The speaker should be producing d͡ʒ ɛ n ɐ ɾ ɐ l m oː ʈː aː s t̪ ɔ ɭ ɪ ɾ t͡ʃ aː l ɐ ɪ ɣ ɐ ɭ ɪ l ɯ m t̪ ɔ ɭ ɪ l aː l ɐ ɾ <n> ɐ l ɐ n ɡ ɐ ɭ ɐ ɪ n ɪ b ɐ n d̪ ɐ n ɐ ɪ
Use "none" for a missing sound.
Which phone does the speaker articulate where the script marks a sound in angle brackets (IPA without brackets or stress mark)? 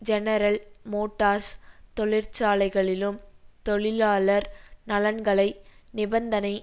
n